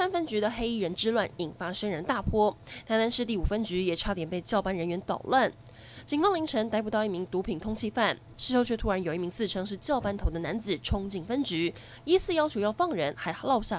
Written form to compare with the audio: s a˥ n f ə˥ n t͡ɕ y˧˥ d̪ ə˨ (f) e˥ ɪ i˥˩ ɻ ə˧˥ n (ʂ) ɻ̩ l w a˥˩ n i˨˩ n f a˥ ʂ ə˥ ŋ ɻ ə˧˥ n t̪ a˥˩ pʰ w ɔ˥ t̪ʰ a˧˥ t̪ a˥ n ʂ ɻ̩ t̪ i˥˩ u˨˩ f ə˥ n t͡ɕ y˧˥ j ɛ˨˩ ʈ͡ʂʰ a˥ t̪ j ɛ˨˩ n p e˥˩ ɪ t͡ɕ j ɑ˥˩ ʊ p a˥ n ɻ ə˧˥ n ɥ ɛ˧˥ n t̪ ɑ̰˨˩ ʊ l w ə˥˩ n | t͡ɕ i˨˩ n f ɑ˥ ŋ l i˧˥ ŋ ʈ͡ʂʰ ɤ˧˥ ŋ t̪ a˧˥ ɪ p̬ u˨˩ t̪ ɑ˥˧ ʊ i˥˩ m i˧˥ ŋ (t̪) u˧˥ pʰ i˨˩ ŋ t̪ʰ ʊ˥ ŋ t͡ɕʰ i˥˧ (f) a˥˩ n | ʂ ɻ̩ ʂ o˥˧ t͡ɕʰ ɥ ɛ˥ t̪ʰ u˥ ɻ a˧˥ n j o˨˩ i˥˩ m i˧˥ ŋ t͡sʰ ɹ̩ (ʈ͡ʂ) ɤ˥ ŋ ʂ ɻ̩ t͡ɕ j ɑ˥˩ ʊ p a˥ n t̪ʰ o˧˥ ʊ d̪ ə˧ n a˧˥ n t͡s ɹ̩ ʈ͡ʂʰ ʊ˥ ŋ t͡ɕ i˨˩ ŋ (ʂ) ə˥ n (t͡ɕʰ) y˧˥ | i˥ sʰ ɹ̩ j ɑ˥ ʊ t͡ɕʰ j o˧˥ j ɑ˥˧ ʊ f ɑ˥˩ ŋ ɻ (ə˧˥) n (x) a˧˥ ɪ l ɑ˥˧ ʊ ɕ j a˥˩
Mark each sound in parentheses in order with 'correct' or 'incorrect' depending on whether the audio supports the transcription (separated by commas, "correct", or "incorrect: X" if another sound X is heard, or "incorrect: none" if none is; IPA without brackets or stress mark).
incorrect: x, incorrect: ʈ͡ʂ, correct, correct, incorrect: ʈ͡ʂʰ, incorrect: f, incorrect: t͡ɕ, correct, correct